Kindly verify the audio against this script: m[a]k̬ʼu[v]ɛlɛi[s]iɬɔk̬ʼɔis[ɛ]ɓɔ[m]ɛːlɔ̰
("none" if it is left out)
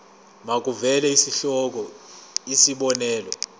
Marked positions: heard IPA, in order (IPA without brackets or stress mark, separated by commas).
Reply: a, v, s, i, n